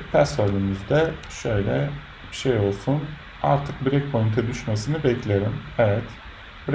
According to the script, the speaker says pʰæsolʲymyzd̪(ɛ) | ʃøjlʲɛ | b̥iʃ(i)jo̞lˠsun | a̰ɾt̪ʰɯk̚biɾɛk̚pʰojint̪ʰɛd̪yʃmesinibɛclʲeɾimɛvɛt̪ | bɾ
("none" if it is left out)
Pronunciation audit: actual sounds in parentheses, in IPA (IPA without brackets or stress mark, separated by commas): ɛ, e